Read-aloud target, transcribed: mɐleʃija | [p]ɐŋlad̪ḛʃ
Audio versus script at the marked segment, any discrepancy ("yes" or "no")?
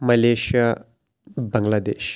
yes